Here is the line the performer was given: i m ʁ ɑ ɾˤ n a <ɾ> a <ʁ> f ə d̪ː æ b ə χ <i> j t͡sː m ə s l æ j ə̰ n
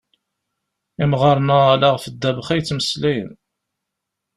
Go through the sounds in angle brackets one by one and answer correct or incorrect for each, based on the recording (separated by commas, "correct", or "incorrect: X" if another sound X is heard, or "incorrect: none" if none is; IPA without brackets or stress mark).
incorrect: l, correct, incorrect: æ